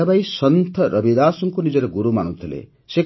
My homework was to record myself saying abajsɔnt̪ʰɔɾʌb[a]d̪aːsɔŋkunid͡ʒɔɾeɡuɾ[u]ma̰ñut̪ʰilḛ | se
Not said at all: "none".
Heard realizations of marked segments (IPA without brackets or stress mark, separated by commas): i, u